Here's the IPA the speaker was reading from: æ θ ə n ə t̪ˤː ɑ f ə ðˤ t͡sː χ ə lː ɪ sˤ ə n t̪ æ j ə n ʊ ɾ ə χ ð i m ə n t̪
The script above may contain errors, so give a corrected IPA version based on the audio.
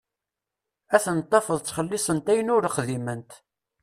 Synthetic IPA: æ θ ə n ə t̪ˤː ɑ f ə ðˤ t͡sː χ ə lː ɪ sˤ ə n t̪ æ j ə n ʊ ɾ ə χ ð i m ə n t̪